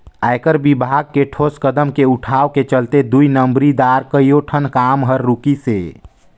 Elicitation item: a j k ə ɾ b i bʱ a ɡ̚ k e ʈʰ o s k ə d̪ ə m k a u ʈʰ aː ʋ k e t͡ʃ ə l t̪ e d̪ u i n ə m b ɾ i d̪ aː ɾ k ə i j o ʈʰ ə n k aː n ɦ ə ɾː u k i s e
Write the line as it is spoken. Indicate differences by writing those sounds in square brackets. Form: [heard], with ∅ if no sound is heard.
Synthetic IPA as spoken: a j k ə ɾ b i bʱ a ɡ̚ k e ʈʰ o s k ə d̪ ə m k [e] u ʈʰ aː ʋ k e t͡ʃ ə l t̪ e d̪ u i n ə m b ɾ i d̪ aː ɾ k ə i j o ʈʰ ə n k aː [m] ɦ ə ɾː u k i s e